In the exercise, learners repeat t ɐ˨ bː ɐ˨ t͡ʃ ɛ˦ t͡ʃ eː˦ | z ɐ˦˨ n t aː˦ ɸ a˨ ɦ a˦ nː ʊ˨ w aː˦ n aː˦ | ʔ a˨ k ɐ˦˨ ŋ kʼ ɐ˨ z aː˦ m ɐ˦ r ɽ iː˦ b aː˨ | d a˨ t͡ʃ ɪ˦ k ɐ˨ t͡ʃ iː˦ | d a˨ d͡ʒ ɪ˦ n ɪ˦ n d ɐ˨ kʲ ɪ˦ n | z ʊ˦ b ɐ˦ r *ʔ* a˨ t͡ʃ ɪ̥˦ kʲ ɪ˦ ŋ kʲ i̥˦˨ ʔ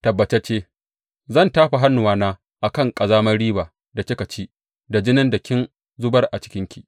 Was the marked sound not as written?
no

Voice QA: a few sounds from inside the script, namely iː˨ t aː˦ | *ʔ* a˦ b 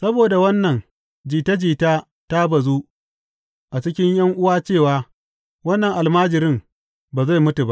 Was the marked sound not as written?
yes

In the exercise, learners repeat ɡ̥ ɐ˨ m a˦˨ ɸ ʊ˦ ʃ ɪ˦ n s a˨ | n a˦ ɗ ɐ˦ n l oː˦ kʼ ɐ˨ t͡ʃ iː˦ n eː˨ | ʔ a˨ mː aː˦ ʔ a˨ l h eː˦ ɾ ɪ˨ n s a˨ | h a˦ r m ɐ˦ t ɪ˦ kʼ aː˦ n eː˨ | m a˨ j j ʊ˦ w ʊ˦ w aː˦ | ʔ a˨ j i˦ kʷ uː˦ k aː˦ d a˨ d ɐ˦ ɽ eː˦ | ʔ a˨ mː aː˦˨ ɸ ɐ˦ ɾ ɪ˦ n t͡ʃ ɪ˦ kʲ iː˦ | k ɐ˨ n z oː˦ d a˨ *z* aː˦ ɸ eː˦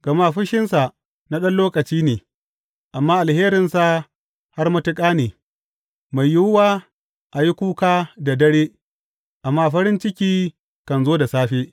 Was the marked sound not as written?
yes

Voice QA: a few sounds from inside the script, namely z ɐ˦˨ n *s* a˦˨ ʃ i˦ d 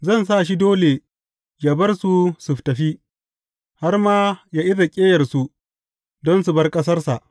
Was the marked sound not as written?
no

